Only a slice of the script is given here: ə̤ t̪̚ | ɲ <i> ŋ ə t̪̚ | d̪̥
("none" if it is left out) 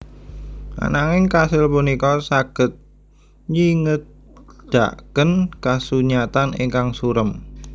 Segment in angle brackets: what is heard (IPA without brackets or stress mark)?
i